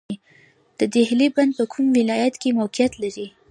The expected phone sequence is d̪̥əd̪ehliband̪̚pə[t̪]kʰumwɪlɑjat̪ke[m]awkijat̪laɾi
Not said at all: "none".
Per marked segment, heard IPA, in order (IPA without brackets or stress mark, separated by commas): none, m